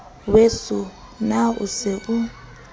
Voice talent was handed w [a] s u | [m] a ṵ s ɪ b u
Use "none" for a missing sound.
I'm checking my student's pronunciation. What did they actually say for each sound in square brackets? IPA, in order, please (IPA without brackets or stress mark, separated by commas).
e, n